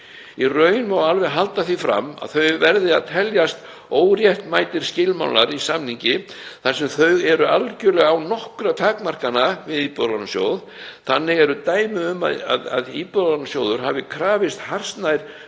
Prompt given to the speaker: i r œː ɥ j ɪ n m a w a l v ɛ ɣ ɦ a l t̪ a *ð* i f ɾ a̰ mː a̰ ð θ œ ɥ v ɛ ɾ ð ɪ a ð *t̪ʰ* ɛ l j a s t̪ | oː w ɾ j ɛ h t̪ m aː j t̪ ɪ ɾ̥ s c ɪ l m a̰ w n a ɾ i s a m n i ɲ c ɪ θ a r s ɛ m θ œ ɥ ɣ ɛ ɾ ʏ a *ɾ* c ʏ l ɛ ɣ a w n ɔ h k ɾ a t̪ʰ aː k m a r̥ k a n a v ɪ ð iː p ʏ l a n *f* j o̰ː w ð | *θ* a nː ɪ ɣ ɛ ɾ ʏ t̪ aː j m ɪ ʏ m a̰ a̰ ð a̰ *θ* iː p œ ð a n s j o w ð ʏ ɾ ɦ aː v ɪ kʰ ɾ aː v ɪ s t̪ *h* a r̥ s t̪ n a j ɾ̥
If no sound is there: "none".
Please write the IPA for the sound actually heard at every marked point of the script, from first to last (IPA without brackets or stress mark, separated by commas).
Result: θ, t̪ʰ, l, s, θ, ð, h